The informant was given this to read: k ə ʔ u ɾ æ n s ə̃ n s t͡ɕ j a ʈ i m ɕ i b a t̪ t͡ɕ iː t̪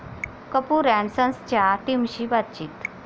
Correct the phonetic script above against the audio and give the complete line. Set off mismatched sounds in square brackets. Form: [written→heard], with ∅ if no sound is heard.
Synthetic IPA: k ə [ʔ→p] u ɾ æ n s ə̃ n s t͡ɕ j a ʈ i m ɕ i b a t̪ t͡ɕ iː t̪